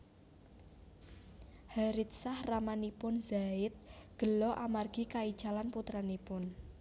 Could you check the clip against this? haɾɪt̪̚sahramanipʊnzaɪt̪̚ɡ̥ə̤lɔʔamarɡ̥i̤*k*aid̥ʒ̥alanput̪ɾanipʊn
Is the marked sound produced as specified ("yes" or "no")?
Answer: yes